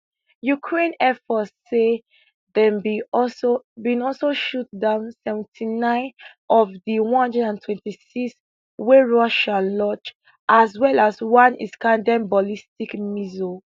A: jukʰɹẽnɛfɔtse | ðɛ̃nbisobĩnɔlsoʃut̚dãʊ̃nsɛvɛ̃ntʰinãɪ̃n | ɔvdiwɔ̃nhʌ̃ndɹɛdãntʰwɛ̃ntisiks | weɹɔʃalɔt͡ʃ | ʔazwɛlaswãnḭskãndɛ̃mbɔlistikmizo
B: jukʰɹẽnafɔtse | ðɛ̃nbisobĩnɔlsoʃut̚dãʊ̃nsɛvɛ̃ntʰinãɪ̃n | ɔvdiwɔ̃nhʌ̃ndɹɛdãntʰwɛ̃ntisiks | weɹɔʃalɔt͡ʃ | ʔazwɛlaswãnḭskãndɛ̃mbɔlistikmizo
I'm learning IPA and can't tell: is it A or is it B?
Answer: A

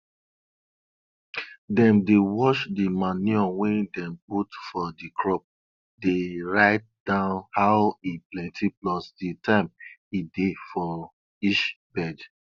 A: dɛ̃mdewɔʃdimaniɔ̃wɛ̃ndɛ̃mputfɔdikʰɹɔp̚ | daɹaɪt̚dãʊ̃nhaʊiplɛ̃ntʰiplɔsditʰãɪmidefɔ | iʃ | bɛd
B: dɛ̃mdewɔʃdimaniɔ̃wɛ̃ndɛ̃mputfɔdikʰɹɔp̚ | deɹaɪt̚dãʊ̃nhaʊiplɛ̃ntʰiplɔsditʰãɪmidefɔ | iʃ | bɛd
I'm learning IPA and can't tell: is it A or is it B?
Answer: B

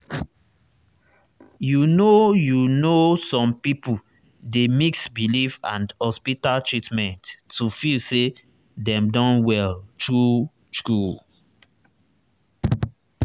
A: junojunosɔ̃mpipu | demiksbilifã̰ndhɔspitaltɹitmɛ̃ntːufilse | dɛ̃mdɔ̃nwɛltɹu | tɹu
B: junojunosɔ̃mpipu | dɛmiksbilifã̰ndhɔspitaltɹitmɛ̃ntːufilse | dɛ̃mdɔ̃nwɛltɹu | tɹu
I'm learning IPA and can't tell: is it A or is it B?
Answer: A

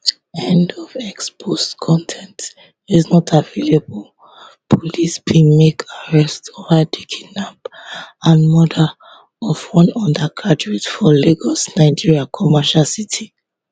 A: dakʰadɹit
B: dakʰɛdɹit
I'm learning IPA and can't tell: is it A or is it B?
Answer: A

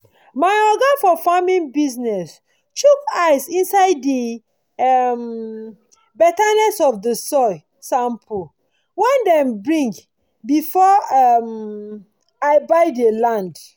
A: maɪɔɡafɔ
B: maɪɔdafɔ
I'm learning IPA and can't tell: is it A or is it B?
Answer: A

